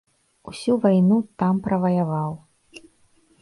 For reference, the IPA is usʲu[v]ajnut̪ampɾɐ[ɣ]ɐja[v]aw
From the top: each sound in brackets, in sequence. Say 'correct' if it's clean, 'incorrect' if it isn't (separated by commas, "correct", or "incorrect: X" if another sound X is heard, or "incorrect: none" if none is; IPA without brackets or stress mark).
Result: correct, incorrect: v, correct